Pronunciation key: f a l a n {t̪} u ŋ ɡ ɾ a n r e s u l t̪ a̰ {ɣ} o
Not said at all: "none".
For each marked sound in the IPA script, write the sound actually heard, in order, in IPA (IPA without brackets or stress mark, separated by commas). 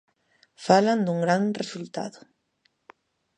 d̪, ð